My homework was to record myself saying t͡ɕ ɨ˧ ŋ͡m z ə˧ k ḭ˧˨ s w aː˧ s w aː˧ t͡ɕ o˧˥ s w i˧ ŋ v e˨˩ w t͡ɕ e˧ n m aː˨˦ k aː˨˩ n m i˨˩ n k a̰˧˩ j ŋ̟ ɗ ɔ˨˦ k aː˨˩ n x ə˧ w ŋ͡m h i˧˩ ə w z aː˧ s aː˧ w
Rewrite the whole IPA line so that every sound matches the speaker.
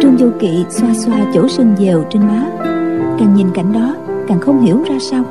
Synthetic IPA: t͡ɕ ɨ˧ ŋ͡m z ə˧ k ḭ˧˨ s w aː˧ s w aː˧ t͡ɕ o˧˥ s w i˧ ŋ z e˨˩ w t͡ɕ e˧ n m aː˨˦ k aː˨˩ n ɲ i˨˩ n k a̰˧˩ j ŋ̟ ɗ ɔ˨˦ k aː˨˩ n x ə˧ w ŋ͡m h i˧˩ ə w z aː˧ s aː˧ w